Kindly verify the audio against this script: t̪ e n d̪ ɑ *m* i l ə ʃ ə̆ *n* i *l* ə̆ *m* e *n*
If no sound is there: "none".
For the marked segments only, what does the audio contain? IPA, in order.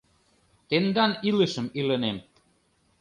n, m, l, n, m

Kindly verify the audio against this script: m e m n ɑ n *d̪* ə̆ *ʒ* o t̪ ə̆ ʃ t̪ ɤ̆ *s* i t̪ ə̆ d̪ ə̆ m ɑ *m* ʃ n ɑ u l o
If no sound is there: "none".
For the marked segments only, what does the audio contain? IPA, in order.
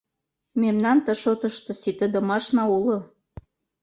t̪, ʃ, s, none

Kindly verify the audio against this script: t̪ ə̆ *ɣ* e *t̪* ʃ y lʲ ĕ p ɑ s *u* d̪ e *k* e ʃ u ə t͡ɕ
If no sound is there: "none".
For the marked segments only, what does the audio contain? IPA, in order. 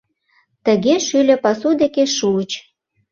ɣ, none, u, k

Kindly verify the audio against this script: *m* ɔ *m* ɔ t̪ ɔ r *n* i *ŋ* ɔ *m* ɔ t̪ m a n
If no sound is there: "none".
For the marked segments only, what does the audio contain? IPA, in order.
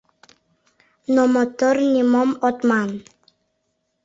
n, m, n, m, m

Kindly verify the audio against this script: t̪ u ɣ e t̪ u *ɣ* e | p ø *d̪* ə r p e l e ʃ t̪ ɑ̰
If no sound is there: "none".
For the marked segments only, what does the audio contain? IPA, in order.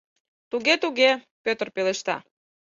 ɣ, t̪

